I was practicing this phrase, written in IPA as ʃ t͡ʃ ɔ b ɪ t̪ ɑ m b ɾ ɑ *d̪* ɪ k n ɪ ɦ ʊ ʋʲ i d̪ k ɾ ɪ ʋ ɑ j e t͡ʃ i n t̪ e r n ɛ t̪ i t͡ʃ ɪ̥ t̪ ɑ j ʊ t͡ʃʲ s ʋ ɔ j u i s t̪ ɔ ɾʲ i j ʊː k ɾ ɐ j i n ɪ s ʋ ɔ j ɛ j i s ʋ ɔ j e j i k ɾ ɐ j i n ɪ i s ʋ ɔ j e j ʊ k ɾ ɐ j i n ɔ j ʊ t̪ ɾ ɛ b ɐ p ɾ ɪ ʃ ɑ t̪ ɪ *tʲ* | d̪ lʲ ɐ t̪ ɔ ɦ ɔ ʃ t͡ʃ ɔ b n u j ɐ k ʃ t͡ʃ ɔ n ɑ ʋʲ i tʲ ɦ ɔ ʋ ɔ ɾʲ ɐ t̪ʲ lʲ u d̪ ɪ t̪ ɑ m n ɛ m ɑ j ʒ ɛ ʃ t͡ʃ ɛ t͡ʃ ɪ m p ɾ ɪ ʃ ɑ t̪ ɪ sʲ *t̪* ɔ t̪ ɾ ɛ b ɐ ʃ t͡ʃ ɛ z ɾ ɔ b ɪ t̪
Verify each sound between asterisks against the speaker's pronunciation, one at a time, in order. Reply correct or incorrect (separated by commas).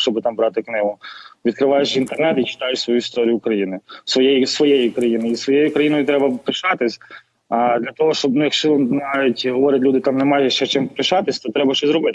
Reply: incorrect, incorrect, correct